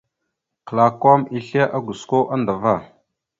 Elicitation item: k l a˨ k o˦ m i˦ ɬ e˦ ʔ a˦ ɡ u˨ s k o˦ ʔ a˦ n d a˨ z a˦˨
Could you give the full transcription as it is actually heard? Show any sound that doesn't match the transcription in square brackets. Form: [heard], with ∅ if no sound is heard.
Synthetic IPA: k l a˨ k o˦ m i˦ ɬ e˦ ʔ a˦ ɡ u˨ s k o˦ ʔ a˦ n d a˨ [v] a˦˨